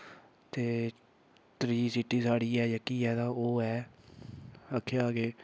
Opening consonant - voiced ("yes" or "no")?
no